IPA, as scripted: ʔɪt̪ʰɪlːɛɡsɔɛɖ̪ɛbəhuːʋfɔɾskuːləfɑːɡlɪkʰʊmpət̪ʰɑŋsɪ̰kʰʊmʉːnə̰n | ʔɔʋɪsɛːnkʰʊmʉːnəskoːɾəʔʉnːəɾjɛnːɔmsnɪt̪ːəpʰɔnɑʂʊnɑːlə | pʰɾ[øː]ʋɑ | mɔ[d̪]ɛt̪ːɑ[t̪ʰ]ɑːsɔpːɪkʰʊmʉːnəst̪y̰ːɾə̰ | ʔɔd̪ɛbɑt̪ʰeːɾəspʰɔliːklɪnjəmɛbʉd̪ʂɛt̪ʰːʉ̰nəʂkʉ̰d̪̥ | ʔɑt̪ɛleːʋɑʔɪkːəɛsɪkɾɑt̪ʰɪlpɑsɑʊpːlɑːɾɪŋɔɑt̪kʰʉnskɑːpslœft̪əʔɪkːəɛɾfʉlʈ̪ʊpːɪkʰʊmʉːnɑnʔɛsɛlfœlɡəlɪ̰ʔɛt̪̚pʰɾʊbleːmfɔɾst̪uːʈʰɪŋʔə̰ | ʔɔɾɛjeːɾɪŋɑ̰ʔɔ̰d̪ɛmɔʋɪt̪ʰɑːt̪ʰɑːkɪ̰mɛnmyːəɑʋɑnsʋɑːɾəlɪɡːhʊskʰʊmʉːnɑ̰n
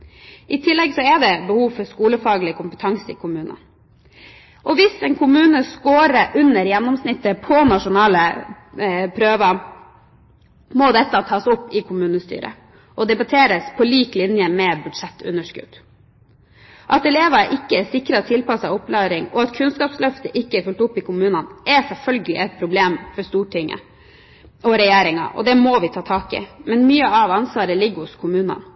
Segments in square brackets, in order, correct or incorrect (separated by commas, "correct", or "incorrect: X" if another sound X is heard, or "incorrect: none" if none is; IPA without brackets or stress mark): correct, correct, correct